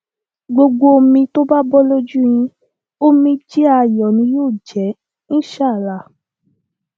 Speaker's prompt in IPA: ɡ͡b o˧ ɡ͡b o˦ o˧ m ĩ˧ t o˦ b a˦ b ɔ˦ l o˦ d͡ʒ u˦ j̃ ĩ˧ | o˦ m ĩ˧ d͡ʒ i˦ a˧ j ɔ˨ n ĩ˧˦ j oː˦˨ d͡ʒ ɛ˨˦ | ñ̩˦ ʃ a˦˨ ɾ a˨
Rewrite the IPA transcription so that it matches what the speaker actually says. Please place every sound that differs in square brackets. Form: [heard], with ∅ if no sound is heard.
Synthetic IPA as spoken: ɡ͡b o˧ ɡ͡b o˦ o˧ m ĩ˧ t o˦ b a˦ b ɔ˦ l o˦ d͡ʒ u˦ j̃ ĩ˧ | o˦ m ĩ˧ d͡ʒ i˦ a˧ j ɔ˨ n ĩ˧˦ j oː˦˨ d͡ʒ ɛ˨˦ | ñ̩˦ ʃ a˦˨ [l] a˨